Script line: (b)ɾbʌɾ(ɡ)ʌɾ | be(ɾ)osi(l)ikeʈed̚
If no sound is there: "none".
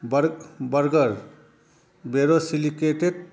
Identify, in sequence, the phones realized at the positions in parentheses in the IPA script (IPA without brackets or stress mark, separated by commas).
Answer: b, ɡ, ɾ, l